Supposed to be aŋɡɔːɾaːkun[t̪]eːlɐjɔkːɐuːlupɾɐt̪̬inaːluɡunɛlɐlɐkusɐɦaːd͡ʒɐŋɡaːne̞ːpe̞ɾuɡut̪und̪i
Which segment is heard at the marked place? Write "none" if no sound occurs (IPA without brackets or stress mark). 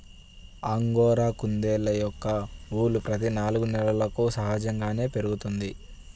d̪